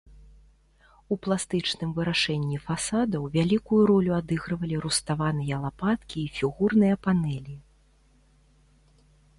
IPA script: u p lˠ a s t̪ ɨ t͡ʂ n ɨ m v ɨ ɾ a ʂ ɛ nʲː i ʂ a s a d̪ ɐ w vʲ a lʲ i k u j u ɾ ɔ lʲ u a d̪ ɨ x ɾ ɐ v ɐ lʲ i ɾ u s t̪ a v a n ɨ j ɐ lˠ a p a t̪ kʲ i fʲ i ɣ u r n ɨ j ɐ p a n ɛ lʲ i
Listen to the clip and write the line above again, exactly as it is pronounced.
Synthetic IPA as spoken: u p lˠ a s t̪ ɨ t͡ʂ n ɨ m v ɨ ɾ a ʂ ɛ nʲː i f a s a d̪ ɐ w vʲ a lʲ i k u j u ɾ ɔ lʲ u a d̪ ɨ ɣ ɾ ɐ v ɐ lʲ i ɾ u s t̪ a v a n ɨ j ɐ lˠ a p a t̪ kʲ iː fʲ i ɣ u r n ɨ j ɐ p a n ɛ lʲ i